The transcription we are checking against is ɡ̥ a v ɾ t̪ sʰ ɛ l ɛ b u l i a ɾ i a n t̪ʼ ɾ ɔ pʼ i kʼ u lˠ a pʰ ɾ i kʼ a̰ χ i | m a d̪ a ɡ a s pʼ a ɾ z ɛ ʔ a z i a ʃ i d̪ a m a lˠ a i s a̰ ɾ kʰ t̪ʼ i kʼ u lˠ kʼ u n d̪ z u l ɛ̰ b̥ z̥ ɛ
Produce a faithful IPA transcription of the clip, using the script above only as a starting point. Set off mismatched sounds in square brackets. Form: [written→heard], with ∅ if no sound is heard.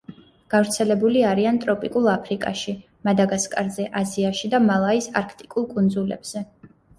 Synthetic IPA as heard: ɡ̥ a v ɾ t̪ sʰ ɛ l ɛ b u l i a ɾ i a n t̪ʼ ɾ ɔ pʼ i kʼ u lˠ a pʰ ɾ i kʼ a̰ [χ→ʃ] i | m a d̪ a ɡ a s [pʼ→kʼ] a ɾ z ɛ ʔ a z i a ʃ i d̪ a m a lˠ a i s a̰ ɾ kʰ t̪ʼ i kʼ u lˠ kʼ u n d̪ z u l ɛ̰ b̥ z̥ ɛ